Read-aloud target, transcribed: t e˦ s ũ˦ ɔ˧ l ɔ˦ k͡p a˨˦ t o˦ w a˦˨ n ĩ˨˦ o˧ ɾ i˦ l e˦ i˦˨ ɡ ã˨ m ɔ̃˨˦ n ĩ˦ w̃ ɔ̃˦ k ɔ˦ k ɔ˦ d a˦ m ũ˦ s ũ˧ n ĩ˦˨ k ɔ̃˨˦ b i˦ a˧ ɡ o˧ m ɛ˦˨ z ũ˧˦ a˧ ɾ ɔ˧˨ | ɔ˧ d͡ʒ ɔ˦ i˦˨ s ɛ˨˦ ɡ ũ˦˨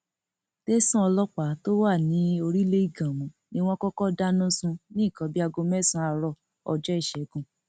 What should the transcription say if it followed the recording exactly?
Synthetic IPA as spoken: t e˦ s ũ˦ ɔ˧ l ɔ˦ k͡p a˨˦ t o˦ w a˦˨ n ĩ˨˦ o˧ ɾ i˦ l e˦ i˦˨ ɡ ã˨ m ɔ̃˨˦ n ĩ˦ w̃ ɔ̃˦ k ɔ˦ k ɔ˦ d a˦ n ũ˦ s ũ˧ n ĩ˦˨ k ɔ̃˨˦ b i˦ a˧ ɡ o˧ m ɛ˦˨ s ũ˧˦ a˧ ɾ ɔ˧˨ | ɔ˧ d͡ʒ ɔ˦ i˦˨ ʃ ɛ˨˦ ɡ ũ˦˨

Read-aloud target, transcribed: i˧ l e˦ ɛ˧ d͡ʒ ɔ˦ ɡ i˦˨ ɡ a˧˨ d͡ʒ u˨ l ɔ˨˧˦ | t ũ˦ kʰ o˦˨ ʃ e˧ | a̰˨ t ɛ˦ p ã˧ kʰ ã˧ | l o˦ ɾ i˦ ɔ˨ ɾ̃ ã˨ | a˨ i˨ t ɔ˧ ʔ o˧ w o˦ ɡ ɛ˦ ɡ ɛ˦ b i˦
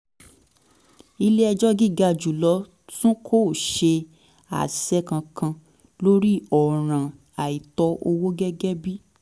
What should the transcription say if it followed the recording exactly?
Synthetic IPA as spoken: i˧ l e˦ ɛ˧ d͡ʒ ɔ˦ ɡ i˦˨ ɡ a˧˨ d͡ʒ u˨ l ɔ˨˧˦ | t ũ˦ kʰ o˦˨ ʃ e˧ | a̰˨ s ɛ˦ k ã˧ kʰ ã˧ | l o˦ ɾ i˦ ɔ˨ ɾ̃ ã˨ | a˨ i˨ t ɔ˧ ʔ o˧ w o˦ ɡ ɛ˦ ɡ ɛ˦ b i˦

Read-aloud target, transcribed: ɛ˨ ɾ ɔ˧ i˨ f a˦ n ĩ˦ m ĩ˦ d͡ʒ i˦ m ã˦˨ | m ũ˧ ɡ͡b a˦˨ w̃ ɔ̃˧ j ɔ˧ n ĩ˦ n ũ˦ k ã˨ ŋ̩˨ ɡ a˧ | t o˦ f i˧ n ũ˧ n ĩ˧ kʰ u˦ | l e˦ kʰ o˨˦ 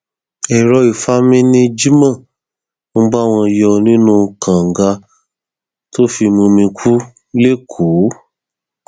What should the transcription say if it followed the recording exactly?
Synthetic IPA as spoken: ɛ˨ ɾ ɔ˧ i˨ f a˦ m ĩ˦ n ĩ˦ d͡ʒ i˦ m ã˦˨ | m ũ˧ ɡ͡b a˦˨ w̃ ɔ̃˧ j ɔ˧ n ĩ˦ n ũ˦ k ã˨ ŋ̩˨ ɡ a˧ | t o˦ f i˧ m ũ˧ m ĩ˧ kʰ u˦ | l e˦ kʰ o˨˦

